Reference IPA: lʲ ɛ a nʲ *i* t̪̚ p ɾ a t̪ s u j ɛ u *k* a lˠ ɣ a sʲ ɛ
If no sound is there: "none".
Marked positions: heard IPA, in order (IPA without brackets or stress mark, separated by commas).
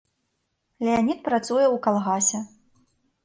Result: i, k